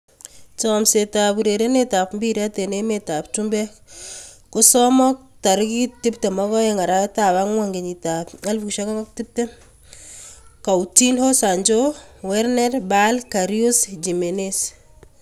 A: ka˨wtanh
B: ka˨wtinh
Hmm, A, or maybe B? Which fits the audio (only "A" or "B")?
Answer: B